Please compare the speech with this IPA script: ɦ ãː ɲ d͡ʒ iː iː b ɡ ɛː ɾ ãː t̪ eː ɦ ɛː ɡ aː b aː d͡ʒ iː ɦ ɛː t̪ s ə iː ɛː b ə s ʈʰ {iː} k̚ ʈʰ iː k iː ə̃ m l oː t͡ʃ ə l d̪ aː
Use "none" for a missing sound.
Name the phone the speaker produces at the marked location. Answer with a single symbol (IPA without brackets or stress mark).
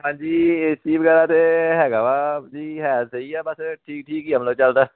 iː